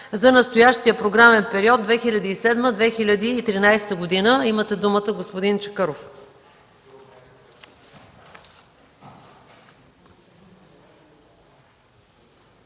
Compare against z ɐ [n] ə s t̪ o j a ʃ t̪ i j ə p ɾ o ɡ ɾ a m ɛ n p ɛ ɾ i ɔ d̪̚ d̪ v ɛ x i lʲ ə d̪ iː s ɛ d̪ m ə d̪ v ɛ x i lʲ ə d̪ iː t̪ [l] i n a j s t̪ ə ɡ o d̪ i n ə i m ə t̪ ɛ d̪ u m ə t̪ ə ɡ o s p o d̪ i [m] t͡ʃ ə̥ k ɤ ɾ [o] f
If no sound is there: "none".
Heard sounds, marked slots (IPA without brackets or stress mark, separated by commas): n, ɾ, n, o